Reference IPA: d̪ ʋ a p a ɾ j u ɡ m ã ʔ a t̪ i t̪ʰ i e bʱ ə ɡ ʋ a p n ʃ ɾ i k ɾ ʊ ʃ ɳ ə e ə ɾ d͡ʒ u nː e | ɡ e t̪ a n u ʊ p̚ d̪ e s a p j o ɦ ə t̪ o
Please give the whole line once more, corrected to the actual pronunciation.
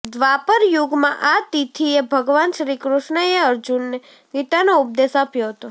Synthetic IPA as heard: d̪ ʋ a p ə ɾ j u ɡ m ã ʔ a t̪ i t̪ʰ i e bʱ ə ɡ ʋ a n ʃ ɾ i k ɾ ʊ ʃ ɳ ə e ə ɾ d͡ʒ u nː e | ɡ i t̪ a n o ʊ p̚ d̪ e s a p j o ɦ ə t̪ o